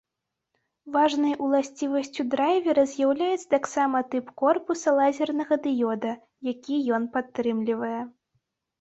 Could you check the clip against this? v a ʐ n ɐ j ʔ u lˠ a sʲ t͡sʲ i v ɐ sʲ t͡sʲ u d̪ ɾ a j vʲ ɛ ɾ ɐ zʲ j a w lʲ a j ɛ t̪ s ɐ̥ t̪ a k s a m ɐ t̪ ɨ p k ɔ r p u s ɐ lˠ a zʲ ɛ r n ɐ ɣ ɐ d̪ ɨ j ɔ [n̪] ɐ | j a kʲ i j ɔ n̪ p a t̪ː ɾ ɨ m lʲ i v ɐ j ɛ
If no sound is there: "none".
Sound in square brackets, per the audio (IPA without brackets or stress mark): d̪